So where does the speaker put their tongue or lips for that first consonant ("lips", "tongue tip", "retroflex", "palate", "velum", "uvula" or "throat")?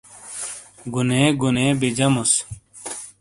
velum